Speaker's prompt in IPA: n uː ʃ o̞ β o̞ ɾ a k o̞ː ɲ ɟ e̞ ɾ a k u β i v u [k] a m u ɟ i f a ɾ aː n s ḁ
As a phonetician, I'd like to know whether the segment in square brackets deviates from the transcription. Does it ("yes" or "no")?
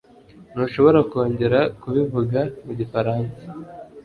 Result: yes